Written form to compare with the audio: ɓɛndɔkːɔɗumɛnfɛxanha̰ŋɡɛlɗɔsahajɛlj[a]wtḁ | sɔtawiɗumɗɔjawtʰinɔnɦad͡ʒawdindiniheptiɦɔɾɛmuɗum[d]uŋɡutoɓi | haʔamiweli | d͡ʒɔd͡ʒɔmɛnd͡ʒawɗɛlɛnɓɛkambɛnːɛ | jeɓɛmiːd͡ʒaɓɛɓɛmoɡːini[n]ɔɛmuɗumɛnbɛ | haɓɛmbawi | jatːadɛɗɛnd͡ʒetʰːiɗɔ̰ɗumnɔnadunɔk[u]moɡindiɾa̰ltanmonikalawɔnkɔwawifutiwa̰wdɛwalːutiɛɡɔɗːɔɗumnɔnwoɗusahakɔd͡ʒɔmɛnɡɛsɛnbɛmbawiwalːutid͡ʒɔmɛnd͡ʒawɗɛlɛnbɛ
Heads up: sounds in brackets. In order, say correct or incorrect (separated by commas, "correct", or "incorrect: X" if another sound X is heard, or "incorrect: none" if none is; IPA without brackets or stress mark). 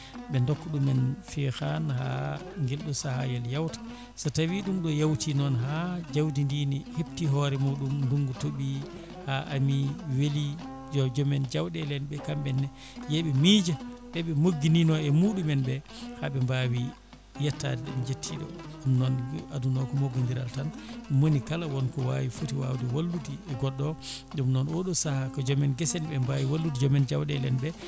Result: correct, correct, correct, incorrect: ɔ